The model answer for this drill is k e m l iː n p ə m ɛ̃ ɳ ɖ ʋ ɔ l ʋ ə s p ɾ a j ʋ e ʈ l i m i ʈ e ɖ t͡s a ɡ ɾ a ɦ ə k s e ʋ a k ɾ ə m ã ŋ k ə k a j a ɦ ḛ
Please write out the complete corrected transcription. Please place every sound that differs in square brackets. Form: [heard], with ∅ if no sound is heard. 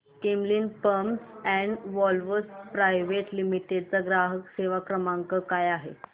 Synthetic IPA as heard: k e m l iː n p ə m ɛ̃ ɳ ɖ ʋ ɔ l ʋ ə s p ɾ a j ʋ e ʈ l i m i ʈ e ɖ t͡s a ɡ ɾ a ɦ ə k s e ʋ a k ɾ ə m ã ŋ k ə k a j a ɦ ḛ